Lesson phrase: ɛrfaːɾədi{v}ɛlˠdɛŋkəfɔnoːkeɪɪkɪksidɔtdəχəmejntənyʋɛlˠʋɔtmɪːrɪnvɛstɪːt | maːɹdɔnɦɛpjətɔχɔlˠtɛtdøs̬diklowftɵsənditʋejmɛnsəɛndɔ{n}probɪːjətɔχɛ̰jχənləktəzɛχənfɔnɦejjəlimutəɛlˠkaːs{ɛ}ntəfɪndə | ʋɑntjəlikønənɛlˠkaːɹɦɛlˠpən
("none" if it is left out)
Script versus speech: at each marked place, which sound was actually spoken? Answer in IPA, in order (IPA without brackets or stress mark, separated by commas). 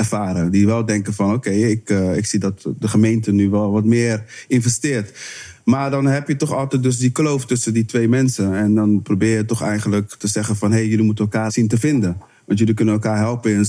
ʋ, n, i